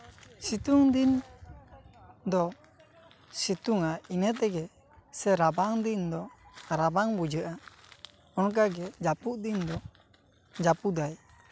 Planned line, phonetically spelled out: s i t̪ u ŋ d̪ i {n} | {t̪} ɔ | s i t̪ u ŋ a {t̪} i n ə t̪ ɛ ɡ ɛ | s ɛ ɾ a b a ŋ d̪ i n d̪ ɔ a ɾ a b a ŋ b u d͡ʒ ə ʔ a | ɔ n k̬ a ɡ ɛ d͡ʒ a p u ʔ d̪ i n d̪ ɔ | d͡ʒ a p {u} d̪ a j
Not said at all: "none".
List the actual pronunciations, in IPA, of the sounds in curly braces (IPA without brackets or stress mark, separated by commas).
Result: n, d̪, none, u